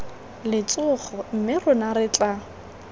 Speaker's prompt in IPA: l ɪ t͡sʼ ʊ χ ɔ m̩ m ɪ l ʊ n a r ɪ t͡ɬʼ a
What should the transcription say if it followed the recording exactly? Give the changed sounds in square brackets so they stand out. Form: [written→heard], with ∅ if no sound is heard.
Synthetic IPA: l ɪ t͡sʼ ʊ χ ɔ m̩ m ɪ [l→r] ʊ n a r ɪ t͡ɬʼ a